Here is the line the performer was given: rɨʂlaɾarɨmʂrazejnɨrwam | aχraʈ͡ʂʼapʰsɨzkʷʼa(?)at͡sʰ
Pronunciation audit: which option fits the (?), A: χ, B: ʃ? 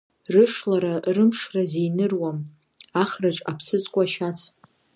B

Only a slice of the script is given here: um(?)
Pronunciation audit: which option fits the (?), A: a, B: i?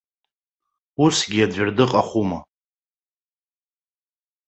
A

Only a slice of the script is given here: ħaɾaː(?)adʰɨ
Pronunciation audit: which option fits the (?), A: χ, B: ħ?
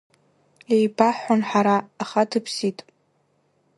A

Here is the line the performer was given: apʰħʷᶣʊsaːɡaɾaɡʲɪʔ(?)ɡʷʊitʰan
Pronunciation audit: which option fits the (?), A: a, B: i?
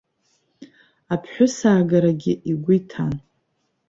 B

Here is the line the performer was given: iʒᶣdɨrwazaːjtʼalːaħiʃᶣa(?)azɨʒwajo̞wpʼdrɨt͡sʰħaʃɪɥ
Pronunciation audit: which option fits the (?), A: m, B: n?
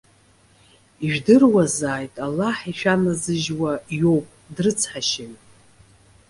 B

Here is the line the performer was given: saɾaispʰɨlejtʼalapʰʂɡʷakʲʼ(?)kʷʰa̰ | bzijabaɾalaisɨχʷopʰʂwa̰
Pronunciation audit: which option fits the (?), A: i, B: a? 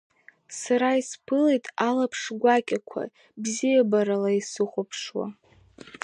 B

